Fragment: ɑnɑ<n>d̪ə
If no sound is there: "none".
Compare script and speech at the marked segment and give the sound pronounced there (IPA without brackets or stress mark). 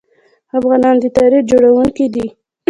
n